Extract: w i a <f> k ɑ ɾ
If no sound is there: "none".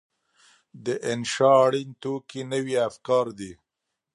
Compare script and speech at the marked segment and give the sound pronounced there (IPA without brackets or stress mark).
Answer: f